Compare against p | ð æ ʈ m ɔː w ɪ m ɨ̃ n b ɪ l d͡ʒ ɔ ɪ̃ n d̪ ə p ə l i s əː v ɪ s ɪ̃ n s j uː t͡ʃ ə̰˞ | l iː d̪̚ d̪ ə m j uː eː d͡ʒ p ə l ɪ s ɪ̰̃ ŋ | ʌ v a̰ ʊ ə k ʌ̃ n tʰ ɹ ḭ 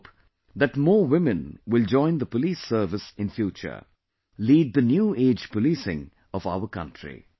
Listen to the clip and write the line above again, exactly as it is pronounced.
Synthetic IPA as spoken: p | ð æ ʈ m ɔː w ɪ m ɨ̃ n w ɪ l d͡ʒ ɔ̃ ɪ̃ n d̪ ə p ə l i s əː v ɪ s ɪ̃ n f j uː t͡ʃ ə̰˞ | l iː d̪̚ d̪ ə n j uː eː d͡ʒ p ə l i s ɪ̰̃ ŋ | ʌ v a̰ ʊ ə k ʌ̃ n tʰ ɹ ḭ

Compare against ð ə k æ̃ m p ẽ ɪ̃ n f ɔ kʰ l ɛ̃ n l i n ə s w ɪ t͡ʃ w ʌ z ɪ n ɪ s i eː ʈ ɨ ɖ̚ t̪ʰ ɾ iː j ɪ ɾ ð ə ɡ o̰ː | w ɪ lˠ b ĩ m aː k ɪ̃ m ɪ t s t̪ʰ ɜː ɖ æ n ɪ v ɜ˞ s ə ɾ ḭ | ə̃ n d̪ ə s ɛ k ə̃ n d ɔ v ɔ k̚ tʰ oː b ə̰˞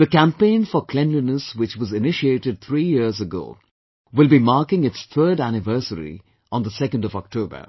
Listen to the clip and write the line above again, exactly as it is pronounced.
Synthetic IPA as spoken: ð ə k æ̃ m p ẽ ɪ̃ n f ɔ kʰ l ɛ̃ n l i n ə s w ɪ t͡ʃ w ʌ z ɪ n ɪ ʃ i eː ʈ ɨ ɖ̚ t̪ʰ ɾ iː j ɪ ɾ z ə ɡ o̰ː | w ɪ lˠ b i m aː k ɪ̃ ŋ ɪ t s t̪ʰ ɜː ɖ æ n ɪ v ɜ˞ s ə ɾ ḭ | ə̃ n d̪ ə s ɛ k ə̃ n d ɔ v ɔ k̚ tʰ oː b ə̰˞

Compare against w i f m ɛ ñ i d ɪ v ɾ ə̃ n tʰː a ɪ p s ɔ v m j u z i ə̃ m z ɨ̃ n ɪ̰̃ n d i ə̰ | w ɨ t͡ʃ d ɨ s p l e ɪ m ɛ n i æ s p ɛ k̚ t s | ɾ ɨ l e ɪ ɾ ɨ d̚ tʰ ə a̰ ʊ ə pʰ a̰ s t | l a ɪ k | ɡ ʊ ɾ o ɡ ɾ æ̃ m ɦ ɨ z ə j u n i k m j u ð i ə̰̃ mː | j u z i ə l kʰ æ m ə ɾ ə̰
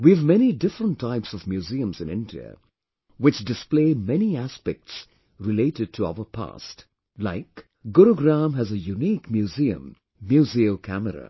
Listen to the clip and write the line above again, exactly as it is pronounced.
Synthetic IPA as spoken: w i v m ɛ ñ i d ɪ f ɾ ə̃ n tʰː a ɪ p s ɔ v m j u z i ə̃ m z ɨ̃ n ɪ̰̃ n d i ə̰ | w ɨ t͡ʃ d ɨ s p l e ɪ m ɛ n i æ s p ɛ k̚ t s | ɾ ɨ l e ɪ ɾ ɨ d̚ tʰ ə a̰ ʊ ə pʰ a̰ s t | l a ɪ k | ɡ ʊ ɾ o ɡ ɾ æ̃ m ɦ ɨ z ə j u n i k m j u z i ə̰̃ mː | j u z i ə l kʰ æ m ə ɾ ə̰

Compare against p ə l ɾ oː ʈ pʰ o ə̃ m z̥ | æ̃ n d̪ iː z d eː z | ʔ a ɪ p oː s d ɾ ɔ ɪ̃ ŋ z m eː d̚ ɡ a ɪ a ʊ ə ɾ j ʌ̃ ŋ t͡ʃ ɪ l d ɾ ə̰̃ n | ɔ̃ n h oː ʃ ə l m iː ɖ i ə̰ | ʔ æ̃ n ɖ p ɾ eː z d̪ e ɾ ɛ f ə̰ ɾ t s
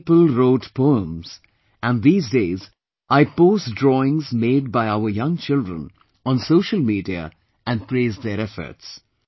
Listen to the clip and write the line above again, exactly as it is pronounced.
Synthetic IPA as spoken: p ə l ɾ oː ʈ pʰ o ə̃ m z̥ | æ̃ n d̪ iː z d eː z | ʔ a ɪ p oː s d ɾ ɔ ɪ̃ ŋ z m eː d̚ b a ɪ a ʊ ə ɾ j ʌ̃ ŋ t͡ʃ ɪ l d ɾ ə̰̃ n | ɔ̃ n s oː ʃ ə l m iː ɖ i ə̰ | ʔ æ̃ n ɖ p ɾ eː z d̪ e ɾ ɛ f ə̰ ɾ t s

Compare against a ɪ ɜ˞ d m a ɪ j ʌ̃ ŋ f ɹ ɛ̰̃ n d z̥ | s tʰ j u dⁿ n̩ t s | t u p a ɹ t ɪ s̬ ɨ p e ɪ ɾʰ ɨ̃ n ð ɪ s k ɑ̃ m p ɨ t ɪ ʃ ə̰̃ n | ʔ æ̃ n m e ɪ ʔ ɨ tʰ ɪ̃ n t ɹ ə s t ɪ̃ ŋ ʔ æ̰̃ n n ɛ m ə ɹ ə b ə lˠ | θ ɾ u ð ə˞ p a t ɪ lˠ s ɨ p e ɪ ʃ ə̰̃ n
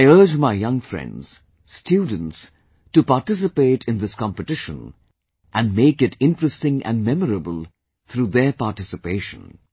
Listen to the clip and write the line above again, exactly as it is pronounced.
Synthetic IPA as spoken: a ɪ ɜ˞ d͡ʒ m a ɪ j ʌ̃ ŋ f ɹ ɛ̰̃ n d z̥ | s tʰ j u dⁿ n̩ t s | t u p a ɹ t ɪ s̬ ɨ p e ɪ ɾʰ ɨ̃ n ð ɪ s k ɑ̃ m p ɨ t ɪ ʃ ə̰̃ n | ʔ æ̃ n m e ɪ k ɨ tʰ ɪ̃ n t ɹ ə s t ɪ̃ ŋ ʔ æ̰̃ n m ɛ m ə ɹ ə b ə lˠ | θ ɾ u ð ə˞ p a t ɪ s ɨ p e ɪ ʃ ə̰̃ n

